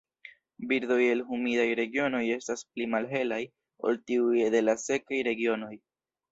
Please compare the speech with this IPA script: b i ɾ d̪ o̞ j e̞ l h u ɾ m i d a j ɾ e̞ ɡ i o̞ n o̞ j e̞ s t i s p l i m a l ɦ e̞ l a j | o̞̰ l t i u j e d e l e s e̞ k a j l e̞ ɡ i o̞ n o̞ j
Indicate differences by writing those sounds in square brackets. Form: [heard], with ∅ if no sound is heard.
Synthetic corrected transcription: b i ɾ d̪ o̞ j e̞ l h u [∅] m i d a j ɾ e̞ ɡ i o̞ n o̞ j e̞ s t [a] s p l i m a l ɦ e̞ l a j | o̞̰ l t i u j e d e l [a] s e̞ k a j [ɾ] e̞ ɡ i o̞ n o̞ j